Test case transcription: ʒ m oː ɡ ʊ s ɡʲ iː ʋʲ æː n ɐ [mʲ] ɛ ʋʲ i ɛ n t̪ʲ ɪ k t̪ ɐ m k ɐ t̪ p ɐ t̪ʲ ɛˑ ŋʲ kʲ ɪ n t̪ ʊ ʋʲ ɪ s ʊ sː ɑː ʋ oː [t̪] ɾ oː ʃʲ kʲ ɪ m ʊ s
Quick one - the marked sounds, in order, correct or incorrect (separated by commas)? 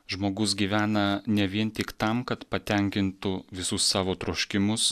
incorrect, correct